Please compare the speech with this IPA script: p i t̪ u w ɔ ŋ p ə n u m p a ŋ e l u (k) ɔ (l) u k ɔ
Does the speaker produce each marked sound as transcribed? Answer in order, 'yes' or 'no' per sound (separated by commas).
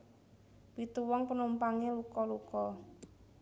yes, yes